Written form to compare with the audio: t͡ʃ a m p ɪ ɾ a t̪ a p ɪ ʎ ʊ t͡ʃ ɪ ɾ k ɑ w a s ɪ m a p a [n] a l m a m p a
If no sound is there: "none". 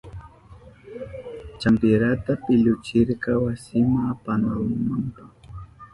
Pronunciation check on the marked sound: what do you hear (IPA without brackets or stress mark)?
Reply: n